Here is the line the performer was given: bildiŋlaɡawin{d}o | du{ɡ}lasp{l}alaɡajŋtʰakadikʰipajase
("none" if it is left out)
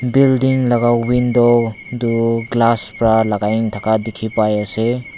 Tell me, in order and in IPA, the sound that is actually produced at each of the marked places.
d, ɡ, ɾ

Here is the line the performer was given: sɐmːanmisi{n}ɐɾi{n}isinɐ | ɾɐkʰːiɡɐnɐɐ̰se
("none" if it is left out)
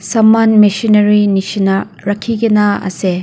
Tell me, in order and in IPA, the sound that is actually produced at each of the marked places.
n, n

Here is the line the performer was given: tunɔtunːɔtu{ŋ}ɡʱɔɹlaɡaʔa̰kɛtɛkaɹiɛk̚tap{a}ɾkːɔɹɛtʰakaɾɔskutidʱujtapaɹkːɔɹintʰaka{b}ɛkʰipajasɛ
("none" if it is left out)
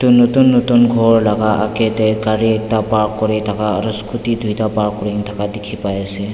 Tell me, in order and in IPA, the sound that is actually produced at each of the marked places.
n, a, d

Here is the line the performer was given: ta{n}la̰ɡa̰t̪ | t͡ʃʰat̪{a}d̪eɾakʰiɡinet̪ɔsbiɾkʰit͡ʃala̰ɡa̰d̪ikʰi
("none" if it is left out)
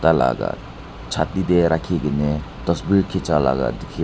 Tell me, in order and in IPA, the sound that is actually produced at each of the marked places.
none, i

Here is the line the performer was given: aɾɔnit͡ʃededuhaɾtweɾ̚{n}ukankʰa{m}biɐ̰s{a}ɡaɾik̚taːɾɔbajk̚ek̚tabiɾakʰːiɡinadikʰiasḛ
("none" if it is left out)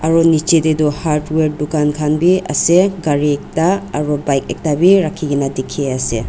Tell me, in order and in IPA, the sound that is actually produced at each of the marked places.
d, n, e

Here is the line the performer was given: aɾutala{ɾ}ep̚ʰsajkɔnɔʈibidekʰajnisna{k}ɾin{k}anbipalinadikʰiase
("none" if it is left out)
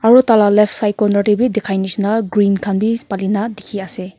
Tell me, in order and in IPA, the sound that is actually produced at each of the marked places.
l, ɡ, kʰ

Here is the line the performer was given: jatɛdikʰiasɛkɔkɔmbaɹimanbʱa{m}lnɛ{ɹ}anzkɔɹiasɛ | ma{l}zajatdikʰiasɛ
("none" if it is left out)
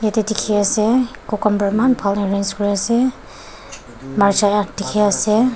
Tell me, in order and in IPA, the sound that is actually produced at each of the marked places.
none, ɹ, ɹ

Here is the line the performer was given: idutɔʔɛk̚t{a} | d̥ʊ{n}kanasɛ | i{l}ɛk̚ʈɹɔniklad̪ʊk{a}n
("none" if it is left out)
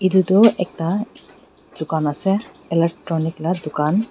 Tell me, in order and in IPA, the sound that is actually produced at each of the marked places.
a, none, l, a

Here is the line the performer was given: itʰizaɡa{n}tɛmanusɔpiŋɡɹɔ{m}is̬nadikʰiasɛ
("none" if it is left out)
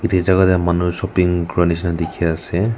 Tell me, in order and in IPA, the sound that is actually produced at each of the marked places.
none, n

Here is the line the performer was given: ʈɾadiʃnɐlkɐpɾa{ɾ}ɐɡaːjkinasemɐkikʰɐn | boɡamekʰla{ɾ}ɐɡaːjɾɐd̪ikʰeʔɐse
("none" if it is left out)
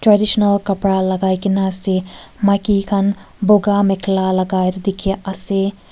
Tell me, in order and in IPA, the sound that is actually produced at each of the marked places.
l, l

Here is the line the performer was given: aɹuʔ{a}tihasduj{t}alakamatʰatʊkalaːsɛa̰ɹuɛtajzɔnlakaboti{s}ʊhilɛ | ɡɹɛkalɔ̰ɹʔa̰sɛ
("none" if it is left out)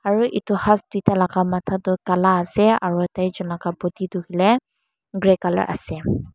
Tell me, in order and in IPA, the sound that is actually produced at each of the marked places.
i, t, t

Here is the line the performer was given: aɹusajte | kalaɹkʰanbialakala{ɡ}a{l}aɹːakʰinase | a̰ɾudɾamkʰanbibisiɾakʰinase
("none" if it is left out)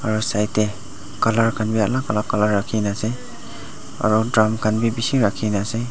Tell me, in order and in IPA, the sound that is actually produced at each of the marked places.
k, l

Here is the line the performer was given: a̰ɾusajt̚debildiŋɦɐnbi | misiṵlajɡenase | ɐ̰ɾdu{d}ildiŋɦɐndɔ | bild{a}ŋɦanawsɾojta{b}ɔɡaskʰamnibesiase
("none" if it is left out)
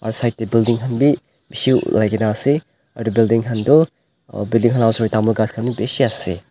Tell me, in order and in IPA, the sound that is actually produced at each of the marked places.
b, i, m

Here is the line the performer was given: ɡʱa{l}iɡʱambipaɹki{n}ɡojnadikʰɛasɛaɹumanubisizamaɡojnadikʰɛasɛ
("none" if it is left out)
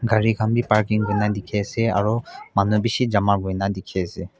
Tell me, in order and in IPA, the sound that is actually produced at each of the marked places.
ɹ, ŋ

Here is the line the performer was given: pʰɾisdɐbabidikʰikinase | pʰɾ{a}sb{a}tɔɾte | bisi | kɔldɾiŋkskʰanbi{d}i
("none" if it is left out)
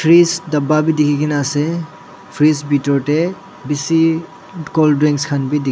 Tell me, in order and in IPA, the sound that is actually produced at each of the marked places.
i, i, d

